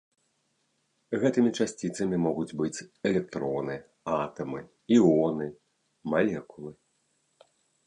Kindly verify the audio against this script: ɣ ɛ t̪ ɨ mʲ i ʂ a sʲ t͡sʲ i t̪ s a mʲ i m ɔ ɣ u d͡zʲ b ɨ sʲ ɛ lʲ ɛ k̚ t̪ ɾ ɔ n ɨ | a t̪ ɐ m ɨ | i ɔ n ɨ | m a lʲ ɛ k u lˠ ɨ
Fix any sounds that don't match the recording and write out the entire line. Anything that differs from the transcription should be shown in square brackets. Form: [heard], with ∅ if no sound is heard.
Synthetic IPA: ɣ ɛ t̪ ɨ mʲ i [t͡ʂ] a sʲ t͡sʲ i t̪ s [ɐ] mʲ i m ɔ ɣ u d͡zʲ b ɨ [t͡sʲ] ɛ lʲ ɛ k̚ t̪ ɾ ɔ n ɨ | a t̪ ɐ m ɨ | i ɔ n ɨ | m a lʲ ɛ k u lˠ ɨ